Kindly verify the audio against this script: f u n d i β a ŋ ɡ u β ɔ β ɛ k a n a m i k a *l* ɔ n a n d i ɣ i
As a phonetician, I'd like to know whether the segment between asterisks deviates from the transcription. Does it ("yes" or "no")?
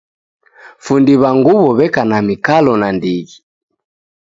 no